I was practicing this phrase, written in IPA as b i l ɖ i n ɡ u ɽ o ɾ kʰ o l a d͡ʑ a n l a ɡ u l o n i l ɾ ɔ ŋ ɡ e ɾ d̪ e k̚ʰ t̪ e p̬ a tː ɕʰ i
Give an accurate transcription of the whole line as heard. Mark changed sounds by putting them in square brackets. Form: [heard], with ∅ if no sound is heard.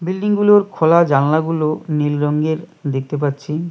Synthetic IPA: b i l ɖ i [ŋ] ɡ u [l] o ɾ kʰ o l a d͡ʑ a n l a ɡ u l o n i l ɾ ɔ ŋ ɡ e ɾ d̪ e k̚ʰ t̪ e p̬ a tː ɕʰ i